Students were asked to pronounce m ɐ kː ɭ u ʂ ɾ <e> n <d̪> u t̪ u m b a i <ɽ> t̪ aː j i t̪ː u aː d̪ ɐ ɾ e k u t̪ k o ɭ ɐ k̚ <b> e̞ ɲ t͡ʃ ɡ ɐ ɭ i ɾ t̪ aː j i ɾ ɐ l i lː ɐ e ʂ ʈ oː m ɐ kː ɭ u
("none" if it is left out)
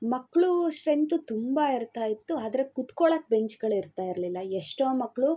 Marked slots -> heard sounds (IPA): e, t̪, ɾ, b

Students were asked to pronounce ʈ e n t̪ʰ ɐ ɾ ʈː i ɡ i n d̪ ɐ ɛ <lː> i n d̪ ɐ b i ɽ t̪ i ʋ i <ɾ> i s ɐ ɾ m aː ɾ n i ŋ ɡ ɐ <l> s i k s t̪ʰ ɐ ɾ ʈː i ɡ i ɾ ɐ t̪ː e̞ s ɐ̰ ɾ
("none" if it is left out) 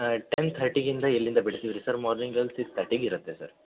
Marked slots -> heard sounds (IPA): lː, ɾ, l

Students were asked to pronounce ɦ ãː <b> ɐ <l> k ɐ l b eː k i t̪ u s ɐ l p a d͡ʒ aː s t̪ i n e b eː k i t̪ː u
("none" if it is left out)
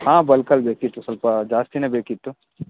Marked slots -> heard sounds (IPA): b, l

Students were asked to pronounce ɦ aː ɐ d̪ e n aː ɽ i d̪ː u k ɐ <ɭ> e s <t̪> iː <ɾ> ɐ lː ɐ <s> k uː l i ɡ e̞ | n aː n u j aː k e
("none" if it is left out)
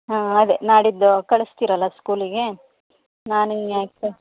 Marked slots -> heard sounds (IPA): ɭ, t̪, ɾ, s

